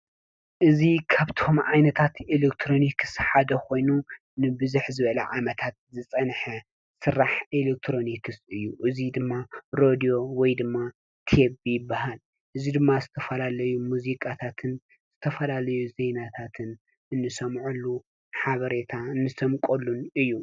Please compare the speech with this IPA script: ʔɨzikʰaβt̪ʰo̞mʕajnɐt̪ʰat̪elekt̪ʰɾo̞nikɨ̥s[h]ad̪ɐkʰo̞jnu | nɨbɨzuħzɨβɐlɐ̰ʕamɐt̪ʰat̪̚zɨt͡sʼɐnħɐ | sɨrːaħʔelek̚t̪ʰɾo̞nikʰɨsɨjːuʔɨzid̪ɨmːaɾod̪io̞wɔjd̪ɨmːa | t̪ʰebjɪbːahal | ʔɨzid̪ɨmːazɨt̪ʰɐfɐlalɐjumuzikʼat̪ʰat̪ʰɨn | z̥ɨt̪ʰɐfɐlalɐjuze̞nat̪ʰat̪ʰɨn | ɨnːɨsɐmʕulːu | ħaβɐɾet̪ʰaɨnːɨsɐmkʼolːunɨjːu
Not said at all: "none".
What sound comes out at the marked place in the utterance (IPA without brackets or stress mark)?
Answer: ħ